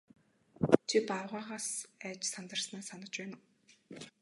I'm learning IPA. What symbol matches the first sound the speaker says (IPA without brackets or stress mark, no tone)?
t͡ɕʰ